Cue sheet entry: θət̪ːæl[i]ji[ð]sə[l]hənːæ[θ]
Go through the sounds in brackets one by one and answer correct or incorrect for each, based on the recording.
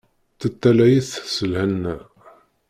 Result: incorrect, incorrect, correct, incorrect

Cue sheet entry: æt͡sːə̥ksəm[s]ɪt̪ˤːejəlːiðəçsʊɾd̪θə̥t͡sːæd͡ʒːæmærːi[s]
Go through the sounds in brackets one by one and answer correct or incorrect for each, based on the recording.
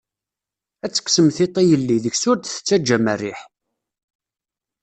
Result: incorrect, incorrect

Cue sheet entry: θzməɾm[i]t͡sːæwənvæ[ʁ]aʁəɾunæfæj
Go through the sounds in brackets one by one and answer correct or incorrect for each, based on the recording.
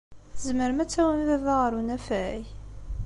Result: incorrect, incorrect

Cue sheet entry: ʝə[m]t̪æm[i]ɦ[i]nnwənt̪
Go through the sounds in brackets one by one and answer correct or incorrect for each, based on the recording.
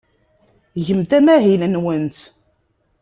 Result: correct, incorrect, correct

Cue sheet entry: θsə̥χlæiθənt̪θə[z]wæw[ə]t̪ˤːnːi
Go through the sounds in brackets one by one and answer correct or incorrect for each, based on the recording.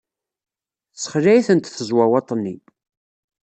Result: correct, incorrect

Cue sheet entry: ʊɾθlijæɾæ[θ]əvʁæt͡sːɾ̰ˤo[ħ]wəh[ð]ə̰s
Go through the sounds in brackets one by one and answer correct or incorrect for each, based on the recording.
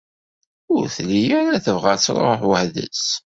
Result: correct, correct, correct

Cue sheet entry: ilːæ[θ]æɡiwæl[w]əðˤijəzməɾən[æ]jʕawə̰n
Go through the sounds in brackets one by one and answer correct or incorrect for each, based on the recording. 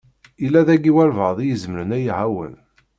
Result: incorrect, incorrect, correct

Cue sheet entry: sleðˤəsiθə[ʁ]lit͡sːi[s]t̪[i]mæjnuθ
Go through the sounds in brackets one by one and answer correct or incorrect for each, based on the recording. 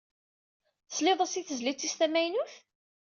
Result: incorrect, correct, incorrect

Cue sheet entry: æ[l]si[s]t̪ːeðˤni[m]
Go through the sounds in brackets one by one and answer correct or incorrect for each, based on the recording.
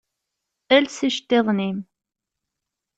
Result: correct, incorrect, correct

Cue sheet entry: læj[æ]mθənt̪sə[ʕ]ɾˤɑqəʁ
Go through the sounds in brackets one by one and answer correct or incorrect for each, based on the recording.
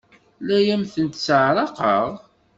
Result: correct, correct

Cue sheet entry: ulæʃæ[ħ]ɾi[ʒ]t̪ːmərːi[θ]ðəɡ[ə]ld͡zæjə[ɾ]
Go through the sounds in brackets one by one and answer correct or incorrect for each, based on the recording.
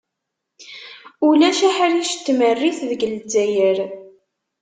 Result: correct, incorrect, correct, correct, correct

